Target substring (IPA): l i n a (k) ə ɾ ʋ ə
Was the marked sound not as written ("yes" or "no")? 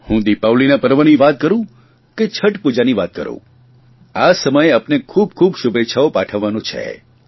yes